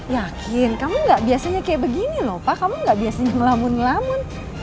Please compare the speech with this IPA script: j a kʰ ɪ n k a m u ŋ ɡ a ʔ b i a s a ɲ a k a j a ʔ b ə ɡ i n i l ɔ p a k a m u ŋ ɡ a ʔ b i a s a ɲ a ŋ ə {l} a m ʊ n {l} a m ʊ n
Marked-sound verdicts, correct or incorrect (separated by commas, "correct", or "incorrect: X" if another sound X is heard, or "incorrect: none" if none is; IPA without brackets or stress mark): correct, correct